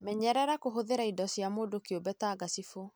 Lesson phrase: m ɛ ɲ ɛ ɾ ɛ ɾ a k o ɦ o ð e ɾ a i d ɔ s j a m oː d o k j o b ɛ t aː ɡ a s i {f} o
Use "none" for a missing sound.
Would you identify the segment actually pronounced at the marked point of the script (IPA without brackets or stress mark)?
f